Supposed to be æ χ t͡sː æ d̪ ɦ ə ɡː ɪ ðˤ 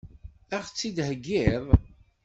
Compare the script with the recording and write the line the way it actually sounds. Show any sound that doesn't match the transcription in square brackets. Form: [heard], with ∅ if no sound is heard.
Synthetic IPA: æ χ t͡sː [i] d̪ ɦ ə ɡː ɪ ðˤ